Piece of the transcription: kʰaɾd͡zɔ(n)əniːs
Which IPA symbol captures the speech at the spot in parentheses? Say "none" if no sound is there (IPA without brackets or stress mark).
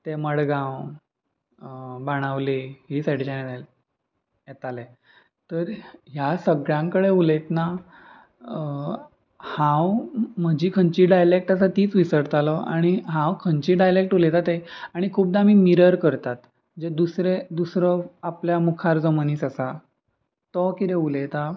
m